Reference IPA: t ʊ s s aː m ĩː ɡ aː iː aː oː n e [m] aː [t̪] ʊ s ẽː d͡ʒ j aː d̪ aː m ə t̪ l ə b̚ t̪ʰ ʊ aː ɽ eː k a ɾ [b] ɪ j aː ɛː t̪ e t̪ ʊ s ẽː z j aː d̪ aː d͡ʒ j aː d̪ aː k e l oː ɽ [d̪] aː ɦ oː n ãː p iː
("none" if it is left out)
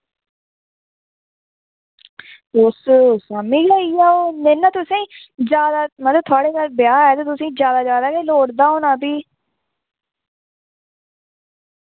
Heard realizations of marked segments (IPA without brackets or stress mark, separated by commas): n, t̪, b, d̪